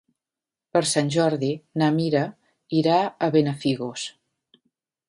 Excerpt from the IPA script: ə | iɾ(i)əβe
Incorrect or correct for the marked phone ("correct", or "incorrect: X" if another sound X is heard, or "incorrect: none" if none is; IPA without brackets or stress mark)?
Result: incorrect: a